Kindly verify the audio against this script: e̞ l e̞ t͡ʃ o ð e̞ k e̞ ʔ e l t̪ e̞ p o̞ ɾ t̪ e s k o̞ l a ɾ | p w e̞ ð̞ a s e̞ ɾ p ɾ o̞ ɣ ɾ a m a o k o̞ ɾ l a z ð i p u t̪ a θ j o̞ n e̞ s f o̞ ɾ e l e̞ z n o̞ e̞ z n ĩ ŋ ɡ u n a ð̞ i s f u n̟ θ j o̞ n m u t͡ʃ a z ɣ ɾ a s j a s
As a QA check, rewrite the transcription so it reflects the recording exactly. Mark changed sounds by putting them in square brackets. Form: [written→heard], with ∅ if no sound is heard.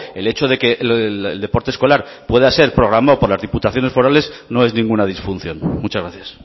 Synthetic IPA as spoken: e̞ l e̞ t͡ʃ o ð e̞ k e̞ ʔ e l [t̪→d̪] e̞ p o̞ ɾ t̪ e s k o̞ l a ɾ | p w e̞ ð̞ a s e̞ ɾ p ɾ o̞ ɣ ɾ a m a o [k→p] o̞ ɾ l a z ð i p u t̪ a θ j o̞ n e̞ s f o̞ ɾ [e→a] l e̞ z n o̞ e̞ z n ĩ ŋ ɡ u n a ð̞ i s f u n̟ θ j o̞ n m u t͡ʃ a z ɣ ɾ a [s→θ] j a s